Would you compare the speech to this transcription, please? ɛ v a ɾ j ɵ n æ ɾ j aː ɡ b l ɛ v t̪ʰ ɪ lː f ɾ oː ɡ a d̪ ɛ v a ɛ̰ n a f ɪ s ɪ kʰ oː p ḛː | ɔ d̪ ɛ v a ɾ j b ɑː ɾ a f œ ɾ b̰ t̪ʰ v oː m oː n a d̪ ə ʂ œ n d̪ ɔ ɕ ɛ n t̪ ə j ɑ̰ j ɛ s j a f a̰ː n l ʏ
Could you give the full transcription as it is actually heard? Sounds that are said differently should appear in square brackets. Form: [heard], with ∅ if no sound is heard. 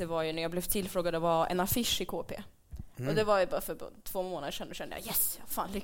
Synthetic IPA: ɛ v a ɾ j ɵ n æ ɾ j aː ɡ b l ɛ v t̪ʰ ɪ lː f ɾ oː ɡ a d̪ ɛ v a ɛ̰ n a f ɪ [ʂ] ɪ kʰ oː p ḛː | ɔ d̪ ɛ v a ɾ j b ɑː ɾ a f œ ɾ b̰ t̪ʰ v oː m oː n a d̪ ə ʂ [ɛ] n d̪ ɔ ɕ ɛ n [d̪] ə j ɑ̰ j ɛ s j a f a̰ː n l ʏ